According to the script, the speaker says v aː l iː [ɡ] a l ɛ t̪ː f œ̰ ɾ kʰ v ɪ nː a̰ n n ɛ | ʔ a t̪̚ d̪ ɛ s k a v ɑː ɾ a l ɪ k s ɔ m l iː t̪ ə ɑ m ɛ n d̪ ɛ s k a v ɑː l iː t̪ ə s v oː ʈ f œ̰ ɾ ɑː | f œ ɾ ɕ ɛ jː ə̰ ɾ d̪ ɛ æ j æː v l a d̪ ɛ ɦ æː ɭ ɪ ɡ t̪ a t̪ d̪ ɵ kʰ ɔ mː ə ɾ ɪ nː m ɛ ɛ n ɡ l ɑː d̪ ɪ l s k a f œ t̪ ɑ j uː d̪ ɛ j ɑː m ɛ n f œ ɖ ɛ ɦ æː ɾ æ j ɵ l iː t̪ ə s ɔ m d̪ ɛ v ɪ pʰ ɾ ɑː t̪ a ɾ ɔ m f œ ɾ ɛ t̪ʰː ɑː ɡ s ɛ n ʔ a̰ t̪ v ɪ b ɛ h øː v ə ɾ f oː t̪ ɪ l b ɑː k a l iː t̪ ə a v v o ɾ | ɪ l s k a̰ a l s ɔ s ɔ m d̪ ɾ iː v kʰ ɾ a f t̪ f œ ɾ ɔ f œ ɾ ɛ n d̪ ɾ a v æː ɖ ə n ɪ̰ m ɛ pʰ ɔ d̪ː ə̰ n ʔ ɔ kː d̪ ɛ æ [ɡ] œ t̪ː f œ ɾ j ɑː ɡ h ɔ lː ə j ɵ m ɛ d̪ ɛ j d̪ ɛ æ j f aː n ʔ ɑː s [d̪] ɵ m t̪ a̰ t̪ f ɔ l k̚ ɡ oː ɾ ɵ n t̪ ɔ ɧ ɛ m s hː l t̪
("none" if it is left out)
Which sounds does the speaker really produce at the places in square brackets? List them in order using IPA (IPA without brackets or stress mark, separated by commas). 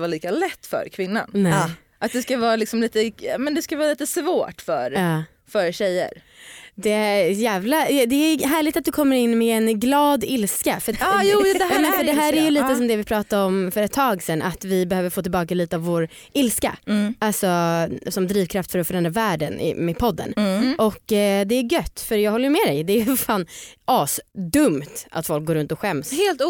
k, ɡ, d̪